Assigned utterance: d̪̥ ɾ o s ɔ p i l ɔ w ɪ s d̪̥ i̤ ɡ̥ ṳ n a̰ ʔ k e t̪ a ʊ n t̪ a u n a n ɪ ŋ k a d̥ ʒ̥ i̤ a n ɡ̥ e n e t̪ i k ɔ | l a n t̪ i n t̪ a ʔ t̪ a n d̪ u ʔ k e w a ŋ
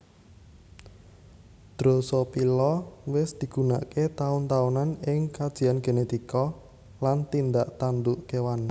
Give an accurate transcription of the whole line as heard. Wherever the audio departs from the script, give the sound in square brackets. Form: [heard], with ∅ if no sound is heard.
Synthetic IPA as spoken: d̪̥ ɾ o s ɔ p i l ɔ w ɪ s d̪̥ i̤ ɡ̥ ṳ n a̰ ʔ k e t̪ a ʊ n t̪ a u n a n ɪ ŋ k a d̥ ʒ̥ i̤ a n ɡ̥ e n e t̪ i k ɔ | l a n t̪ i n [d̪] a ʔ t̪ a n d̪ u ʔ k e w a [n]